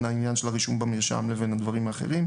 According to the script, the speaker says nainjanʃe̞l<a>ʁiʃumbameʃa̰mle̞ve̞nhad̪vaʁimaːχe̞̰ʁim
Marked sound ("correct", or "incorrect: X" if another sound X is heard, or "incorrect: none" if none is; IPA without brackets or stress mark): correct